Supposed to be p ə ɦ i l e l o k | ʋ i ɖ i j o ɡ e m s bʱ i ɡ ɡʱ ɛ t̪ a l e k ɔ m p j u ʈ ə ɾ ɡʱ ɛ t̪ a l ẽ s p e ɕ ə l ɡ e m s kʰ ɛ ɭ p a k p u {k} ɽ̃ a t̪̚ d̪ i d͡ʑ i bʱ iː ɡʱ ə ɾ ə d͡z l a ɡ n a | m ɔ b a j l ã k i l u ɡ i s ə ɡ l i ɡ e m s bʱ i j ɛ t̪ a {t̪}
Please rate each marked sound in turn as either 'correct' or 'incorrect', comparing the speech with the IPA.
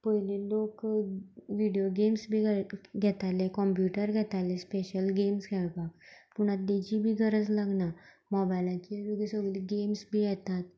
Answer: incorrect: none, correct

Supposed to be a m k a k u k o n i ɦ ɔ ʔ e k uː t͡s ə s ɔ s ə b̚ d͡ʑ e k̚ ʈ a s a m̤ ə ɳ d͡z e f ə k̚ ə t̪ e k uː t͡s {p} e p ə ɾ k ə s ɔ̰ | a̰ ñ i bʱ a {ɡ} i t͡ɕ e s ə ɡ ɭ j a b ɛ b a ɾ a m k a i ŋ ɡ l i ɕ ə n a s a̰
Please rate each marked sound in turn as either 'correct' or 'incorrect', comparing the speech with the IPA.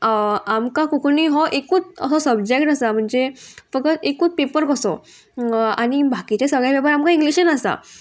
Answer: correct, incorrect: k

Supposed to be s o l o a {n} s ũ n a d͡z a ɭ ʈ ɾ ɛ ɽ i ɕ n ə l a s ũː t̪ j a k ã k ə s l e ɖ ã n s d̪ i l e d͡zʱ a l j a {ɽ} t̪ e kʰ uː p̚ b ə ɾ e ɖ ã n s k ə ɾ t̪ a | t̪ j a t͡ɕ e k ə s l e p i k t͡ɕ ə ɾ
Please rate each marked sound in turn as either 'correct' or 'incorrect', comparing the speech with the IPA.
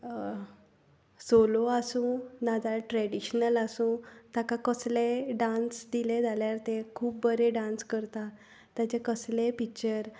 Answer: incorrect: none, incorrect: ɾ

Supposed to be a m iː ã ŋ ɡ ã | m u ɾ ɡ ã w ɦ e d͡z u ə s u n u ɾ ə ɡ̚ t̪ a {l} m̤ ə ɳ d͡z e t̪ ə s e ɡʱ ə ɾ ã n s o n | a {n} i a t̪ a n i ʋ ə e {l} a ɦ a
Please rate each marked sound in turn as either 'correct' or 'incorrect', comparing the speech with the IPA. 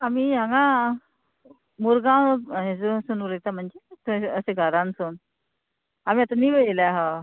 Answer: incorrect: none, incorrect: m, correct

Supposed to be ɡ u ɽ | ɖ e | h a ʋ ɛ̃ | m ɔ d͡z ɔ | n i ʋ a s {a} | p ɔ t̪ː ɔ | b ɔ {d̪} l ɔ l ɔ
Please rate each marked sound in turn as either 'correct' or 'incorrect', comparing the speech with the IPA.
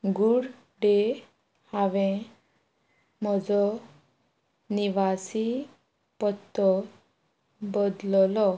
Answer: incorrect: i, correct

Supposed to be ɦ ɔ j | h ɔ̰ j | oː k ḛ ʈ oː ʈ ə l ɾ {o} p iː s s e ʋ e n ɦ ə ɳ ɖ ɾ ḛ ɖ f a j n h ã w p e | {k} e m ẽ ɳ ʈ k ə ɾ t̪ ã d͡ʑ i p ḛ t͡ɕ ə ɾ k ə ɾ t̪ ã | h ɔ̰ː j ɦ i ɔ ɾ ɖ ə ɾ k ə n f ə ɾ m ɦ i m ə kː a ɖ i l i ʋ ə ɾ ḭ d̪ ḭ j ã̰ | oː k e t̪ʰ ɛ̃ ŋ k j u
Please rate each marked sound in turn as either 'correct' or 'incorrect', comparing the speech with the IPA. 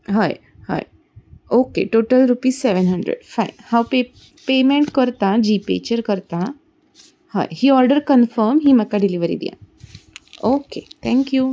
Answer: incorrect: u, incorrect: p

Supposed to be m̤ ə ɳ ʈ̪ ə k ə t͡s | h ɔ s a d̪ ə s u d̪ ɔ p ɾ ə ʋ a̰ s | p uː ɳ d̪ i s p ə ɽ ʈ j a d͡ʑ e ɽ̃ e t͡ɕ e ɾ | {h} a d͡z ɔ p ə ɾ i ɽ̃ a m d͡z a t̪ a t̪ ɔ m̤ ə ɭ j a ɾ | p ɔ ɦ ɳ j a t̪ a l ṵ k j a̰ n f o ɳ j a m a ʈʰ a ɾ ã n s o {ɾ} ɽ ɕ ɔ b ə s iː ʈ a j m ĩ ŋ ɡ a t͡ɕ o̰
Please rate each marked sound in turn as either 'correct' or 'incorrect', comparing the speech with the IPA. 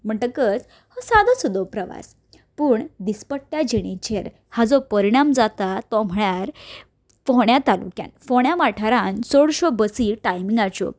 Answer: correct, incorrect: none

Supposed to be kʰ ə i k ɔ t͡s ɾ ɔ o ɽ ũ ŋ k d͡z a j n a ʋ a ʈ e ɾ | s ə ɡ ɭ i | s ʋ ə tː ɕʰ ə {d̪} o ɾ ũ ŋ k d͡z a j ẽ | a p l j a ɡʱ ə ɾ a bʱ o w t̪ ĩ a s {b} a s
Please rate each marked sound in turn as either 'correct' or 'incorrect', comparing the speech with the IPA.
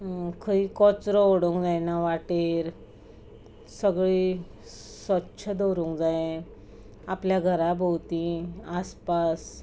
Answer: correct, incorrect: p

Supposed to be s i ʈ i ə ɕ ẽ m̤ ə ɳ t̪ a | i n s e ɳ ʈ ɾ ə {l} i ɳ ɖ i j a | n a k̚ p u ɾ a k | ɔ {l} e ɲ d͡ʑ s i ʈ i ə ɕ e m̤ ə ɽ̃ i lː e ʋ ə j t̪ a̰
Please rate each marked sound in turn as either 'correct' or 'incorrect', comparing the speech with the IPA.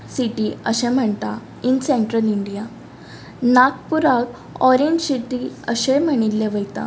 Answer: correct, incorrect: ɾ

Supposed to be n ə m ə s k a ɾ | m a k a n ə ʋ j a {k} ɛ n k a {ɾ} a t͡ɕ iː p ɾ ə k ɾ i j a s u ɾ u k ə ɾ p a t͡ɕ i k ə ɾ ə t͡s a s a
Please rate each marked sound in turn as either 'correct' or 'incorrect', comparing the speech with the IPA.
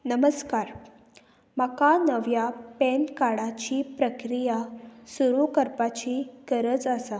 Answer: incorrect: p, incorrect: ɽ

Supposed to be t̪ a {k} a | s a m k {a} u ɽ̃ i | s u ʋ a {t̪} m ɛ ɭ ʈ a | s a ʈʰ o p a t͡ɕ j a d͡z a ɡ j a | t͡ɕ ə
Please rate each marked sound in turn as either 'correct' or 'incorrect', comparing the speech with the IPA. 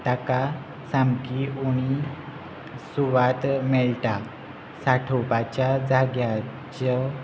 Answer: correct, incorrect: i, correct

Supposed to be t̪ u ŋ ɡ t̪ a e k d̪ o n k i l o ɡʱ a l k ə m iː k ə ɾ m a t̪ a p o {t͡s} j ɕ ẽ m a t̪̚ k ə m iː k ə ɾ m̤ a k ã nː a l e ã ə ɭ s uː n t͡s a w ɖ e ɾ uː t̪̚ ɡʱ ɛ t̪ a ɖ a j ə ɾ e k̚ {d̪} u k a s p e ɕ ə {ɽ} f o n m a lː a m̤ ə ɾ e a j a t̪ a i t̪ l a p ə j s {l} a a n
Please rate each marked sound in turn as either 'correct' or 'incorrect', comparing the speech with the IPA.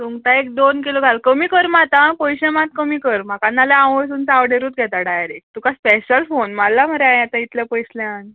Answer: incorrect: none, incorrect: t̪, incorrect: l, correct

